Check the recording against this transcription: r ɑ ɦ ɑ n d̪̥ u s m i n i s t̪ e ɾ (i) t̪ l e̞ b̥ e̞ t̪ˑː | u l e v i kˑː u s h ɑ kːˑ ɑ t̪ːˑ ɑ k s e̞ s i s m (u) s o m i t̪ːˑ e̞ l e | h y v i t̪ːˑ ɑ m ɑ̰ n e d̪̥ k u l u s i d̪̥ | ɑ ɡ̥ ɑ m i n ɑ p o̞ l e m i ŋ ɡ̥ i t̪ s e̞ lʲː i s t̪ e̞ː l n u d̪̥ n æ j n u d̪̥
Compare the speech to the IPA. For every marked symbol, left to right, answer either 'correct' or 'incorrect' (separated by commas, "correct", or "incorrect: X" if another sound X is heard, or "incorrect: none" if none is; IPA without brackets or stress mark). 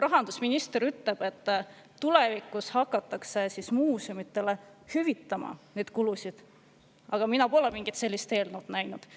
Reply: incorrect: y, incorrect: uː